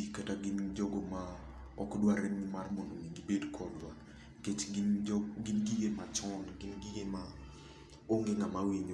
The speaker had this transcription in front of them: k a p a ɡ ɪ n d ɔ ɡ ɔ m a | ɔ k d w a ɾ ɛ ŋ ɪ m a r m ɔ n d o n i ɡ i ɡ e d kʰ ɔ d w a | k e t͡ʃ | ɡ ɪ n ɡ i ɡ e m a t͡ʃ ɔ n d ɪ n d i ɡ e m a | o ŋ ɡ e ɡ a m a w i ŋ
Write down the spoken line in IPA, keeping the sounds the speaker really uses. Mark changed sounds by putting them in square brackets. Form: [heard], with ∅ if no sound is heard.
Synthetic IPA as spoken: k a [t] a ɡ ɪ n [d͡ʒ] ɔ ɡ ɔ m a | ɔ k d w a ɾ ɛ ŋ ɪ m a r m ɔ n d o n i ɡ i [b] e d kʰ ɔ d w a | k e t͡ʃ | ɡ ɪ n ɡ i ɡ e m a t͡ʃ ɔ n [ɡ] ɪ n [ɡ] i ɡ e m a | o ŋ ɡ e [ŋ] a m a w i [ɲ]